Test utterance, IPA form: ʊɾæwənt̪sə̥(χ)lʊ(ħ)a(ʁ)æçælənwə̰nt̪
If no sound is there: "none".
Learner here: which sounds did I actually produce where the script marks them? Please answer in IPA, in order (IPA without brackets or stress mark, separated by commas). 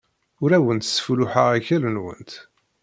f, ħ, ʁ